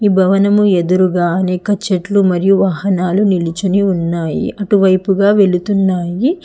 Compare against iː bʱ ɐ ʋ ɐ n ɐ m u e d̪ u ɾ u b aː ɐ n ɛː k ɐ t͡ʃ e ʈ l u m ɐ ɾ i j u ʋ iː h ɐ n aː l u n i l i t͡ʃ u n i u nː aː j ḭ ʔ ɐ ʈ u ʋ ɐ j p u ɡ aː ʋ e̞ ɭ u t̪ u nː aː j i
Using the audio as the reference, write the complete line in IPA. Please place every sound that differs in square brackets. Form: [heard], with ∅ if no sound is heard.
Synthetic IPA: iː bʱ ɐ ʋ ɐ n ɐ m u e d̪ u ɾ u [ɡ] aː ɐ n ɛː k ɐ t͡ʃ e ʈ l u m ɐ ɾ i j u ʋ [aː] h ɐ n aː l u n i l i t͡ʃ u n i u nː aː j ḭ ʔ ɐ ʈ u ʋ ɐ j p u ɡ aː ʋ e̞ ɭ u t̪ u nː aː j i